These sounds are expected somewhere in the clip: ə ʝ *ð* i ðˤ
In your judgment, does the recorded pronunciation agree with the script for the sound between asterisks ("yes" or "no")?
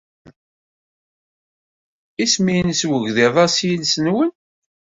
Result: yes